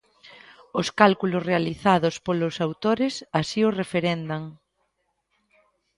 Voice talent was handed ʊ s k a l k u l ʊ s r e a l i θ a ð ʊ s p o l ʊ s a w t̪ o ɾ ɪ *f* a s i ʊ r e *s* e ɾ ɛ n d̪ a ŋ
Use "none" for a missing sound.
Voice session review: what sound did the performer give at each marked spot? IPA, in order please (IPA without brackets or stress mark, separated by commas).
s, f